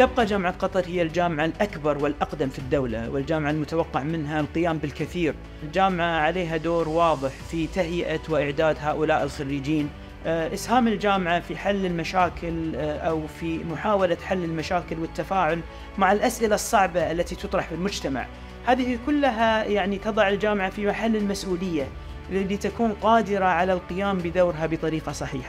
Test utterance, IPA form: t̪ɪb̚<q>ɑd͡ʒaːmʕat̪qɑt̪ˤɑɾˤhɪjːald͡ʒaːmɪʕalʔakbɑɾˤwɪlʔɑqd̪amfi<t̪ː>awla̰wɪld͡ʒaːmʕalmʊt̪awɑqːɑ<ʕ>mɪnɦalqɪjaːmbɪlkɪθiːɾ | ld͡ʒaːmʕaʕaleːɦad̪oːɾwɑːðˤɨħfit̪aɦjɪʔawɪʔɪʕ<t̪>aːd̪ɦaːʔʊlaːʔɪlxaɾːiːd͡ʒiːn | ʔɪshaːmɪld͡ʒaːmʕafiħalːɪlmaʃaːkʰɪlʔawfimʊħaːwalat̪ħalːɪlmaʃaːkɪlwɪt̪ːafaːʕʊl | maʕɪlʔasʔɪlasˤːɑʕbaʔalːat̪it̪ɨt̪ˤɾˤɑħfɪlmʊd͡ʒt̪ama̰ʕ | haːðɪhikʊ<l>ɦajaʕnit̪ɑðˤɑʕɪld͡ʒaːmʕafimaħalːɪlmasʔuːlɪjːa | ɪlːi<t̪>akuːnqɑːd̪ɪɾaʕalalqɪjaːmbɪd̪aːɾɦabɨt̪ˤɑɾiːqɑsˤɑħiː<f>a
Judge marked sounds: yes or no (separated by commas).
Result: yes, no, yes, no, no, yes, no